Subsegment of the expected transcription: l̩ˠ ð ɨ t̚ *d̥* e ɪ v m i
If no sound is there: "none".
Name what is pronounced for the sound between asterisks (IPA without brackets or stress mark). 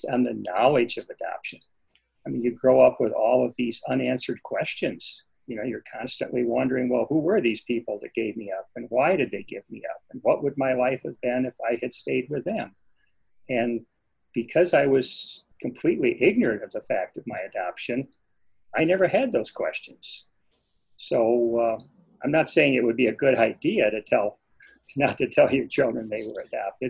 ɡ̥